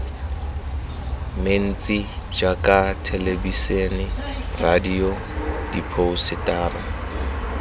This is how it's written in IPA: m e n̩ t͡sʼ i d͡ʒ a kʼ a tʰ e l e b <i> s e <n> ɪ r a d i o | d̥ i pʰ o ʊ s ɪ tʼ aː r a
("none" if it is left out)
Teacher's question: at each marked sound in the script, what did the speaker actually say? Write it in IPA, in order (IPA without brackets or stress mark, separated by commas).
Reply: i, n